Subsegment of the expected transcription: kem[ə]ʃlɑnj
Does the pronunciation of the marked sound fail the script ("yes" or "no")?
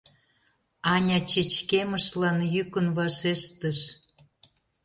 no